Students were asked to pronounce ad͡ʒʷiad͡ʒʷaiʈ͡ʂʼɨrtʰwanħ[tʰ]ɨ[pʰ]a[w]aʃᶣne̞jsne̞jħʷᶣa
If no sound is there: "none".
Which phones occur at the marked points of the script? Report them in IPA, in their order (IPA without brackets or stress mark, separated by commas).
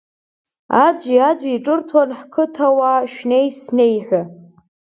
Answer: kʰ, tʰ, w